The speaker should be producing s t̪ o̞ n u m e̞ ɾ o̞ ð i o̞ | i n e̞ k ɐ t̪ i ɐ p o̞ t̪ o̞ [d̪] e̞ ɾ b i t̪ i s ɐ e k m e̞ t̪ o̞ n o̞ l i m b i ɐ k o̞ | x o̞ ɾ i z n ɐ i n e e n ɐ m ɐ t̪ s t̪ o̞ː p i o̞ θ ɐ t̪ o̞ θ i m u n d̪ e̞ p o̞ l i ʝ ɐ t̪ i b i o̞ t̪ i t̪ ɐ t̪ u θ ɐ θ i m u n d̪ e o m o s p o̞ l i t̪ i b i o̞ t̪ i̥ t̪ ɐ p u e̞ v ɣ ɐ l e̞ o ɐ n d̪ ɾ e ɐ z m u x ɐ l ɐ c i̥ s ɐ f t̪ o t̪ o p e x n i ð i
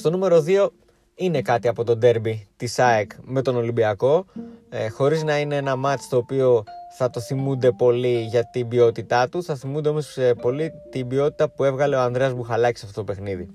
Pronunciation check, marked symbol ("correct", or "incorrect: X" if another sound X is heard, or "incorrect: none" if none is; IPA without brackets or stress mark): correct